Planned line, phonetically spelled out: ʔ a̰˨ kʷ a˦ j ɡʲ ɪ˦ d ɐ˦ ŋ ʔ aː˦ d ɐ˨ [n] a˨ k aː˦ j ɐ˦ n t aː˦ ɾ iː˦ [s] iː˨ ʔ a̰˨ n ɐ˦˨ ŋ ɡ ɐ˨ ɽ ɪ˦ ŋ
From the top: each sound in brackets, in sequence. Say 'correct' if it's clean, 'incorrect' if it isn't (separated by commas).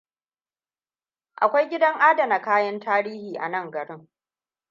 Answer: correct, incorrect